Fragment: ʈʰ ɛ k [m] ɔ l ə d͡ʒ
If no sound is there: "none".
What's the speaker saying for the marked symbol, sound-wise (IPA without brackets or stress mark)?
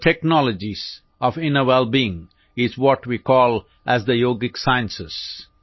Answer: n